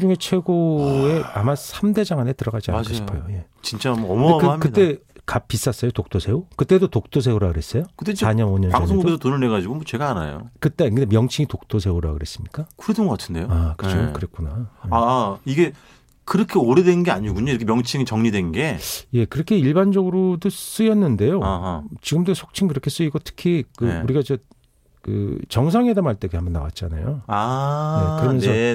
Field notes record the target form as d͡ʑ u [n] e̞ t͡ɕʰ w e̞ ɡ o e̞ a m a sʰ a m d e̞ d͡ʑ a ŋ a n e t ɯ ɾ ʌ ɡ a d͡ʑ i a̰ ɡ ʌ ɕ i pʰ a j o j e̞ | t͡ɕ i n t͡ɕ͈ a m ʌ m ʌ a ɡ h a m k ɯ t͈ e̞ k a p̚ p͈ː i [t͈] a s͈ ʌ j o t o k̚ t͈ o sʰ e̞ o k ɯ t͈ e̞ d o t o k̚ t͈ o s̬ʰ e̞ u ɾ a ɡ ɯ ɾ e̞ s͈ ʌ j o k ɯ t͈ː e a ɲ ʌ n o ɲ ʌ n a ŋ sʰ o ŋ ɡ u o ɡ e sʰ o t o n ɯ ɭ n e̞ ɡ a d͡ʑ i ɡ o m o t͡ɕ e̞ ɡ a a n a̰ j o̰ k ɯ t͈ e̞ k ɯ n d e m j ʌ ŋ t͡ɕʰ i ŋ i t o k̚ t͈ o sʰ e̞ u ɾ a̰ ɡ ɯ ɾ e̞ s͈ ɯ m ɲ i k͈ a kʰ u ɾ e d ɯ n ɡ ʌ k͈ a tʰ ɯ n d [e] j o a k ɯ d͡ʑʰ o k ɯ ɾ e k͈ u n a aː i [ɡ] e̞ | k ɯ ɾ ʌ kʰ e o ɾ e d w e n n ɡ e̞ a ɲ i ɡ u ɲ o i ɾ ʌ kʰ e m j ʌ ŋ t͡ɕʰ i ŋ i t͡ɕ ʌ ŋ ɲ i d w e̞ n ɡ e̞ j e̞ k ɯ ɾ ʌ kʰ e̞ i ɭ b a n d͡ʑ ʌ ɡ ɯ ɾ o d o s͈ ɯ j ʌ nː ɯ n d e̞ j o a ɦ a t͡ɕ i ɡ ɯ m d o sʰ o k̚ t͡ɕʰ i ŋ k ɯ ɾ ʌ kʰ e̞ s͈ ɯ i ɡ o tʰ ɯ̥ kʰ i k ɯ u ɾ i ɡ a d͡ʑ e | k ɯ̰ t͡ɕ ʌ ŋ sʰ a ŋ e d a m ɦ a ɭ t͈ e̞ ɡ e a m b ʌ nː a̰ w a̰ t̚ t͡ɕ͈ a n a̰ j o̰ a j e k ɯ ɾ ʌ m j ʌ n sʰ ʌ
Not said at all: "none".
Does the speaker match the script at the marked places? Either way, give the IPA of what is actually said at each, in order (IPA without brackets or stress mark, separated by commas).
ŋ, s͈, e, ɡ